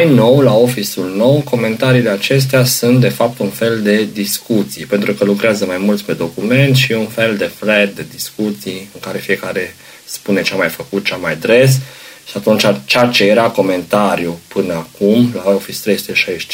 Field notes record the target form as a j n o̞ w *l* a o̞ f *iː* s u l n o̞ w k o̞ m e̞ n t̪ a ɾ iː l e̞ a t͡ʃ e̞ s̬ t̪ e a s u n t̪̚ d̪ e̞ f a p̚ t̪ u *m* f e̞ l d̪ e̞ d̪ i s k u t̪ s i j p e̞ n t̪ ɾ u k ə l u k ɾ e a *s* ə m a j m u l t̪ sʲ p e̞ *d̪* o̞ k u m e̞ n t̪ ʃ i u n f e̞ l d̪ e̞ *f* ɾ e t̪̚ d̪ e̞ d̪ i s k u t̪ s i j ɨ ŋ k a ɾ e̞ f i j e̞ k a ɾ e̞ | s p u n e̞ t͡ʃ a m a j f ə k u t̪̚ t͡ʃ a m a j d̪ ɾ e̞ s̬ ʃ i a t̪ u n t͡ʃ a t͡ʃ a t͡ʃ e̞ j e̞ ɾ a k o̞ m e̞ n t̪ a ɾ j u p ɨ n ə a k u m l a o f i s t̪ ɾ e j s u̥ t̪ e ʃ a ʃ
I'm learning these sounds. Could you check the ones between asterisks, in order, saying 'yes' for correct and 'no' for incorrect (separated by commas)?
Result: yes, no, no, no, yes, yes